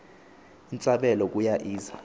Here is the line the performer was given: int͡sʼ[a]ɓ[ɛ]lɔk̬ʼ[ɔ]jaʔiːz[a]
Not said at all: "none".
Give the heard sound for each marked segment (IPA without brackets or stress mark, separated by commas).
a, ɛ, u, a